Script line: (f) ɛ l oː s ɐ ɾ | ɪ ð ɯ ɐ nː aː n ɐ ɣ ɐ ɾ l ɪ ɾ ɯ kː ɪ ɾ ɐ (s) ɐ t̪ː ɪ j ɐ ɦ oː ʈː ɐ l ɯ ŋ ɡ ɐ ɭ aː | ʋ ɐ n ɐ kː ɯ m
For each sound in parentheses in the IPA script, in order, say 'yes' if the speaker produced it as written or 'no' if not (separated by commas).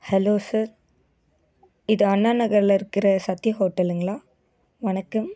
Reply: no, yes